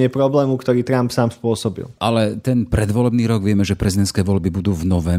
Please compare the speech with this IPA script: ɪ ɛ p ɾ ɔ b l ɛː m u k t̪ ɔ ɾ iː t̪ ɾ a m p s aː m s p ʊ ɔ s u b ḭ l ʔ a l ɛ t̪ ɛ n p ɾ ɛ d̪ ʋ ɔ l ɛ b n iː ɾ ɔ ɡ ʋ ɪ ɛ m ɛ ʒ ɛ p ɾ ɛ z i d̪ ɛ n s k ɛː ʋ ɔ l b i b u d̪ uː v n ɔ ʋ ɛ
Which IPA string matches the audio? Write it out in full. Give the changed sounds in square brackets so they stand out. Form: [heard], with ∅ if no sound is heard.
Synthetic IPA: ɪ ɛ p ɾ ɔ b l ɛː m u k t̪ ɔ ɾ iː t̪ ɾ a m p s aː m s p ʊ ɔ s [ɔ] b ḭ l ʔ a l ɛ t̪ ɛ n p ɾ ɛ d̪ ʋ ɔ l ɛ b n iː ɾ ɔ ɡ ʋ ɪ ɛ m ɛ ʒ ɛ p ɾ ɛ z i d̪ ɛ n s k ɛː ʋ ɔ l b i b u d̪ uː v n ɔ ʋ ɛ